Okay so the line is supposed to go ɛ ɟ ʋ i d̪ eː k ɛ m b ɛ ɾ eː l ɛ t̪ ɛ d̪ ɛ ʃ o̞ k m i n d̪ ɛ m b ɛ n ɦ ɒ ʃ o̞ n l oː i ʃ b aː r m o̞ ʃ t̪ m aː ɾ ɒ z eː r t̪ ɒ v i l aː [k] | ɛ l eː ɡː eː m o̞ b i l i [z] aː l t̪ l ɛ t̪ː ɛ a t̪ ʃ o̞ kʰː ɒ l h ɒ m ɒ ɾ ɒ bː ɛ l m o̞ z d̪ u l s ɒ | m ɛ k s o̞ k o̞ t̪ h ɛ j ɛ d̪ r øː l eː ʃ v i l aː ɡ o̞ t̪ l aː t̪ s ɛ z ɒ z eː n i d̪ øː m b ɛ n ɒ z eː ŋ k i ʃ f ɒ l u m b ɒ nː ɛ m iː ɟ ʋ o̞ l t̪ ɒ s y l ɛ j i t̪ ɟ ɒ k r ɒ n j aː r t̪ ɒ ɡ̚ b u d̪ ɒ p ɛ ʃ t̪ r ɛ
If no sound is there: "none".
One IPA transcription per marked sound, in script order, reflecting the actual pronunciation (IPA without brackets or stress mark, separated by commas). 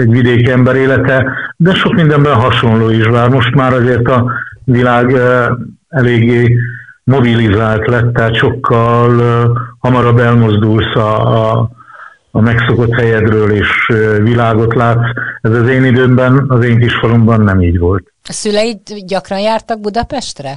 ɡ, z